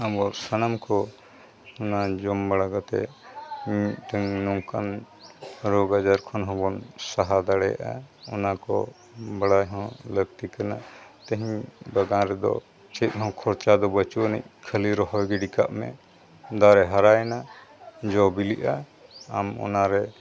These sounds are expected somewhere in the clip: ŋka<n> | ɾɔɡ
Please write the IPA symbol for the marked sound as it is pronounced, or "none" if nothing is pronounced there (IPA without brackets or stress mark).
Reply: n